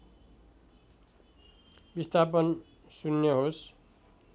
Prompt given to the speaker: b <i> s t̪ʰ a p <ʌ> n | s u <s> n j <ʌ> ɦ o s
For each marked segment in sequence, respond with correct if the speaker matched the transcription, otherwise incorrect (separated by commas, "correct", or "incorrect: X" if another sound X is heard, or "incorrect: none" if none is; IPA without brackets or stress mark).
correct, correct, incorrect: none, correct